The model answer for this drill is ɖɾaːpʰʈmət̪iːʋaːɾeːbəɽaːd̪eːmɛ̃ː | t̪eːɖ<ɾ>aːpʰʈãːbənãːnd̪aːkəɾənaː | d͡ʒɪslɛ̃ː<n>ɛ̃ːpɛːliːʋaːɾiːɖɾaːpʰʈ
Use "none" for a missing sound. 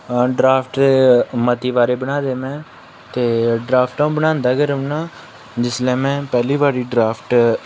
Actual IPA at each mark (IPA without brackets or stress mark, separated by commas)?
ɾ, m